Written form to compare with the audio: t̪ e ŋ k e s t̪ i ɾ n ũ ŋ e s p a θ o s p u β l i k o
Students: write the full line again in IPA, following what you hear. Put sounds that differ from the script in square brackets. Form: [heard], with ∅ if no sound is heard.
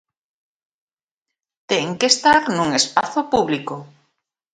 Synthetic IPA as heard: t̪ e ŋ k e s t̪ [a] ɾ n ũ ŋ e s p a θ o [∅] p u β l i k o